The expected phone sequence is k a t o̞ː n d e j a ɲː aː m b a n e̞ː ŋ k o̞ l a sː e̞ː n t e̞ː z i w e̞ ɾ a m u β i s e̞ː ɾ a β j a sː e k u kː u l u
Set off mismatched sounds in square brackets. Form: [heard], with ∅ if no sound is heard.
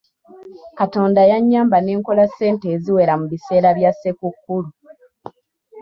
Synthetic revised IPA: k a t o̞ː n d [a] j a ɲː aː m b a n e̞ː ŋ k o̞ l a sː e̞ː n t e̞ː z i w e̞ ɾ a m u β i s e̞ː ɾ a β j a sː e k u kː u l u